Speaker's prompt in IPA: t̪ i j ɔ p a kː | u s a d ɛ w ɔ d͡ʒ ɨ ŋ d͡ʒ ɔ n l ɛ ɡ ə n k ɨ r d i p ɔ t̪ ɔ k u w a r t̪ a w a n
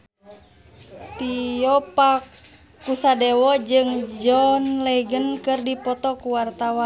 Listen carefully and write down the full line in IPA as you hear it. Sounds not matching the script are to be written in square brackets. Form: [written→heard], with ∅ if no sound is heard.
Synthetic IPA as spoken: t̪ i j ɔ p a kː | u s a d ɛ w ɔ d͡ʒ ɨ ŋ d͡ʒ ɔ n l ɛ ɡ ə n k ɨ r d i p ɔ t̪ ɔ k u w a r t̪ a w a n